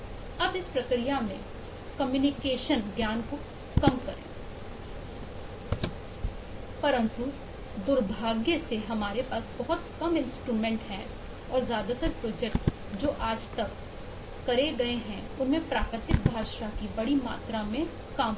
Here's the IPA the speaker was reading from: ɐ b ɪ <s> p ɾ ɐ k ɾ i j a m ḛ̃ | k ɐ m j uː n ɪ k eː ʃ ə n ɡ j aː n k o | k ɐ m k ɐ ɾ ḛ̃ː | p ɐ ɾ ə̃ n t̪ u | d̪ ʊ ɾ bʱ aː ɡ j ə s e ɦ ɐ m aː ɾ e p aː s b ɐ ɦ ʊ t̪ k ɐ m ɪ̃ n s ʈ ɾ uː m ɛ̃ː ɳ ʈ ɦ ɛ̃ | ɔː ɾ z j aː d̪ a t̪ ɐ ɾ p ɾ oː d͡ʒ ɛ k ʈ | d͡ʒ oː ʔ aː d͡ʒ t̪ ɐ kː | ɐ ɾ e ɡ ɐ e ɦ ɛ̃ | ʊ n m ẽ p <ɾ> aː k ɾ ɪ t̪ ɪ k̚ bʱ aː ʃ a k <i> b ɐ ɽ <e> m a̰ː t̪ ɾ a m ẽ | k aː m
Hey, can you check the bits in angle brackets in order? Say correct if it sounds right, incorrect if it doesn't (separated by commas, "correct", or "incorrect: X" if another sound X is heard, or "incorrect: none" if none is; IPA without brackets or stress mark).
correct, correct, correct, incorrect: i